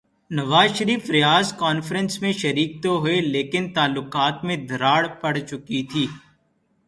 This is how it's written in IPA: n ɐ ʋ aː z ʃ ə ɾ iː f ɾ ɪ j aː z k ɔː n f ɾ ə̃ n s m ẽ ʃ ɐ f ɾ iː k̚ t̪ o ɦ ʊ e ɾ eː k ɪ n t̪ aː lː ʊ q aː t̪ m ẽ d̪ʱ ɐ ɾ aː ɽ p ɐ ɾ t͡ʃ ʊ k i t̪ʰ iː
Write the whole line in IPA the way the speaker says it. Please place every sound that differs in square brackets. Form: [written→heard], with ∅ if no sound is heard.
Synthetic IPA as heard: n ɐ ʋ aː z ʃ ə ɾ iː f ɾ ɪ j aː z k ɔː n f ɾ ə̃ n s m ẽ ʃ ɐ [f→∅] ɾ iː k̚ t̪ o ɦ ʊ e [ɾ→l] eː k ɪ n t̪ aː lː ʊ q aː t̪ m ẽ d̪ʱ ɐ ɾ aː ɽ p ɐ [ɾ→ɽ] t͡ʃ ʊ k i t̪ʰ iː